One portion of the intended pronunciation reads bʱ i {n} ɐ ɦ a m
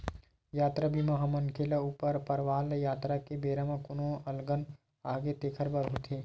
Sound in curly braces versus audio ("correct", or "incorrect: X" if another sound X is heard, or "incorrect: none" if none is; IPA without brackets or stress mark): incorrect: m